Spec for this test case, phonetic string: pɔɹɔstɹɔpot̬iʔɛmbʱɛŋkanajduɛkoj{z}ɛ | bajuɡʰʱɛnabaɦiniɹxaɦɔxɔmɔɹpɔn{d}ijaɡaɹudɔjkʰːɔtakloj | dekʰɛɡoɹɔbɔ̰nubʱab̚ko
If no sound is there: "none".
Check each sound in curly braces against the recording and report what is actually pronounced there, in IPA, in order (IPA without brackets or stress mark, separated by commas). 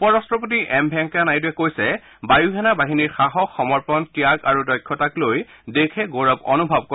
s, t